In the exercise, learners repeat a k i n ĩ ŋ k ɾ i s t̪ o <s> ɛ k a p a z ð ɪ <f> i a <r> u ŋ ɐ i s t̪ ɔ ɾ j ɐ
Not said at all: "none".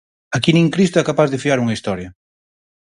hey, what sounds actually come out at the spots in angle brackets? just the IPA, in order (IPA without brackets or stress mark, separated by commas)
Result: none, f, ɾ